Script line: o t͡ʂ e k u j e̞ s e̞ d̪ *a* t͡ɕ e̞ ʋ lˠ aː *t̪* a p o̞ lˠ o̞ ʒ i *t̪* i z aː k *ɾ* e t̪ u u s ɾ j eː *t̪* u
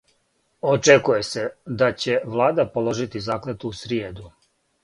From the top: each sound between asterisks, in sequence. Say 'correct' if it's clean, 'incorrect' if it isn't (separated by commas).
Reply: correct, incorrect, correct, incorrect, incorrect